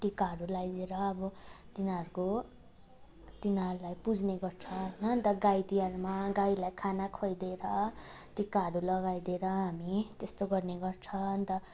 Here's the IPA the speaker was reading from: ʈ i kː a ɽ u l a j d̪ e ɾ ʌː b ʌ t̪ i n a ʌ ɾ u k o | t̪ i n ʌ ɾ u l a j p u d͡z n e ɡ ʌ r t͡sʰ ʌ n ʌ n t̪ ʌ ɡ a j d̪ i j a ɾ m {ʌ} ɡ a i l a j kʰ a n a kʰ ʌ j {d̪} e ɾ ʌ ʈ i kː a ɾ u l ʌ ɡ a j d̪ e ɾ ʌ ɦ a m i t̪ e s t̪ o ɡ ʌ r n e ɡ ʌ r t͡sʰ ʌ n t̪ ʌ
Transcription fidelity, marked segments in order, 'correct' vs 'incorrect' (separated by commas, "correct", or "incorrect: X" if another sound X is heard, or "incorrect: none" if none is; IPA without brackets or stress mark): incorrect: a, correct